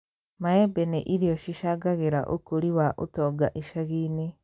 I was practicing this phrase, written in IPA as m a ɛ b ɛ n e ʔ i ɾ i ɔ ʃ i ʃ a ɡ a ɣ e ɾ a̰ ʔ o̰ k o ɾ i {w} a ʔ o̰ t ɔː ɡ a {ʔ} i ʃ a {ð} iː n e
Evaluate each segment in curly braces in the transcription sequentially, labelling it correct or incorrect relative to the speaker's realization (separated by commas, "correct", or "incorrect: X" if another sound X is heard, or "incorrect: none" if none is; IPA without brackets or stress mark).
correct, correct, incorrect: ɣ